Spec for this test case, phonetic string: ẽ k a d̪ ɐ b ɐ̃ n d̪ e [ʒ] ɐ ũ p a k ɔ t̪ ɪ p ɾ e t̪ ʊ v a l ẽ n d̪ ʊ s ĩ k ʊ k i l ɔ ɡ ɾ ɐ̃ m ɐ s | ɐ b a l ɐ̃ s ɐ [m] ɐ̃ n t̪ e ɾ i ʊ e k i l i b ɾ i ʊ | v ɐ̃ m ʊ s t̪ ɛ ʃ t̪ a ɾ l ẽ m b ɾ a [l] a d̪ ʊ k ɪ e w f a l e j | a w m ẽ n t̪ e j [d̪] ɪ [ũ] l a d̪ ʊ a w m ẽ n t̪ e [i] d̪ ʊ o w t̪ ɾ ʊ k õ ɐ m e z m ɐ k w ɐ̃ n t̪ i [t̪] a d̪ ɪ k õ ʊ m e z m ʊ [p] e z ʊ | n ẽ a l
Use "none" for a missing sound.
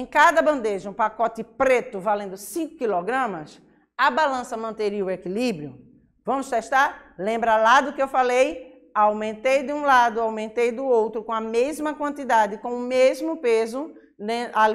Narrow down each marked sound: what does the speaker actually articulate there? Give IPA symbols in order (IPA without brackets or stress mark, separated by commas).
ʒ, m, l, d̪, ũ, j, d̪, p